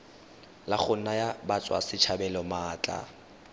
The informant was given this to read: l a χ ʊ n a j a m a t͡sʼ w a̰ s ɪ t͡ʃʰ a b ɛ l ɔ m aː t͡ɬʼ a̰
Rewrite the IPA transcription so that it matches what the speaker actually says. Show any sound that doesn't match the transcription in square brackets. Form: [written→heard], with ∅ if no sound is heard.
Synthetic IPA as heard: l a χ ʊ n a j a [m→b] a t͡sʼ w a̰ s ɪ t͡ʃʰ a b ɛ l ɔ m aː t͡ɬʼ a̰